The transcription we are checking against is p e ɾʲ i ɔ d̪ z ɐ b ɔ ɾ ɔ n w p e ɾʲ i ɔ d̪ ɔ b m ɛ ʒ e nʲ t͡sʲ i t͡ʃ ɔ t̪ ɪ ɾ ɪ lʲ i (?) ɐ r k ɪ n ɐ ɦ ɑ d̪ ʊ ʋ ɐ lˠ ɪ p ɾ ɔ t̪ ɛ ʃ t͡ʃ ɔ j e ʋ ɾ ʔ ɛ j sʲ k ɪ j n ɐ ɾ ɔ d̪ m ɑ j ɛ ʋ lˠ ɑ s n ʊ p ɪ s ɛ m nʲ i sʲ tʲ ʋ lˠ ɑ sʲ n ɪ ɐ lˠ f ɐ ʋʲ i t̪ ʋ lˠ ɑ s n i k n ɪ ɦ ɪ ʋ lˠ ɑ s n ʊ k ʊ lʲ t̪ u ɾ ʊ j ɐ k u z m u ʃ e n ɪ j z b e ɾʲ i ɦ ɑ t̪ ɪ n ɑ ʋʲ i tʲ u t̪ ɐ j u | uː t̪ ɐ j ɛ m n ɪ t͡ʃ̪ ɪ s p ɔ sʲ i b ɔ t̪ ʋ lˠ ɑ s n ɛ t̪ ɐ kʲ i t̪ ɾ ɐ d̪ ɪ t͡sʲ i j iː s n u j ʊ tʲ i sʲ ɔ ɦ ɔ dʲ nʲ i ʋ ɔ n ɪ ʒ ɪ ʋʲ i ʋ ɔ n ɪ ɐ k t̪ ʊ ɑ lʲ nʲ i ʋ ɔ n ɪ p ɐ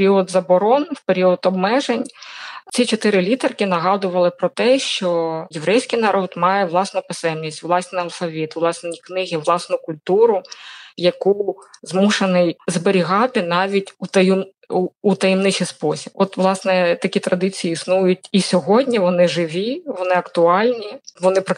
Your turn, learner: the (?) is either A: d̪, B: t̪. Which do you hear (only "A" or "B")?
B